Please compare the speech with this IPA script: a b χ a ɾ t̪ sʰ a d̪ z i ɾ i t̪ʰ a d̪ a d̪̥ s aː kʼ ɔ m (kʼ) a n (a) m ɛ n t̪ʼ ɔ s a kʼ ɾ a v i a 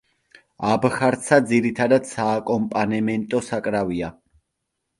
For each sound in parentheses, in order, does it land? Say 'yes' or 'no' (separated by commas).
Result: no, no